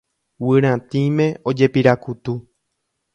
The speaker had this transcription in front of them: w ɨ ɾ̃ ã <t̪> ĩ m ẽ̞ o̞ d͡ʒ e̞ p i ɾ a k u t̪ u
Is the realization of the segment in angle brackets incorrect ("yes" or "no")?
no